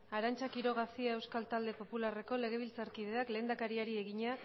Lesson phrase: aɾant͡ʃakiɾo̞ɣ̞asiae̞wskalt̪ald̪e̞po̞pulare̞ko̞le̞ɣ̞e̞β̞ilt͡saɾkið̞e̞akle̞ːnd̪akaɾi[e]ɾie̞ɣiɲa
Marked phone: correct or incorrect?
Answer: incorrect